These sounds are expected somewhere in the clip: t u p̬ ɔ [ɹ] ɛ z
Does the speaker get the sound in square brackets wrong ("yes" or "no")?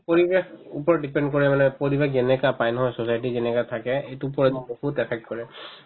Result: no